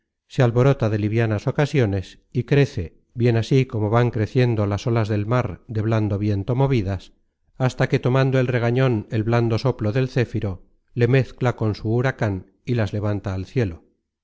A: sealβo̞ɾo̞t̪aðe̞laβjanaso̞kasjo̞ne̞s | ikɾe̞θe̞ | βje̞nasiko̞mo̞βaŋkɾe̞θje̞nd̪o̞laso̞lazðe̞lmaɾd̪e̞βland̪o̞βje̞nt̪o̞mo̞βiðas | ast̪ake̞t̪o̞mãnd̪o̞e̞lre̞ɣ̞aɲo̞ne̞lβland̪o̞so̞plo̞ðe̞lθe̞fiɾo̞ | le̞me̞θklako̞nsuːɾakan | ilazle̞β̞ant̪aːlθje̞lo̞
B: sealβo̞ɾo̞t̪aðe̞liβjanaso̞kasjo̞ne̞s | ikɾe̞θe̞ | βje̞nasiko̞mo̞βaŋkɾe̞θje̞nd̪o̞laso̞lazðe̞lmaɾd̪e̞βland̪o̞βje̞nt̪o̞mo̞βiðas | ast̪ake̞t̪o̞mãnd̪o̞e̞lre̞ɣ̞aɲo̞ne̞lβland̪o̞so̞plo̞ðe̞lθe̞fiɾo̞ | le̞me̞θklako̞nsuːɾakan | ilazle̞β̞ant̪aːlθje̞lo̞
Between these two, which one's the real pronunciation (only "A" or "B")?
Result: B